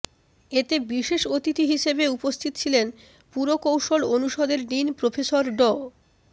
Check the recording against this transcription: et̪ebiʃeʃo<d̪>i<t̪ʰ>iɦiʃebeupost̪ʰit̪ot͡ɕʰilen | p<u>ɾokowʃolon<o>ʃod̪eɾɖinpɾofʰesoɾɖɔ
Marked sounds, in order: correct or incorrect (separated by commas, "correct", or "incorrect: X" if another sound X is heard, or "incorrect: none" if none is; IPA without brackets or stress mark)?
incorrect: t̪, incorrect: t̪, correct, incorrect: u